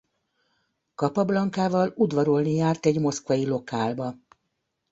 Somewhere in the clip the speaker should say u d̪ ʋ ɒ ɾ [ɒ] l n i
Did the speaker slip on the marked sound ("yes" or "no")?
yes